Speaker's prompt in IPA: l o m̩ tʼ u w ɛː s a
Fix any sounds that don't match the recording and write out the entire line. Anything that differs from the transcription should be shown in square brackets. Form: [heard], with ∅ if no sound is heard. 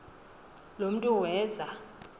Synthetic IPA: l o m̩ tʼ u w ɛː [z] a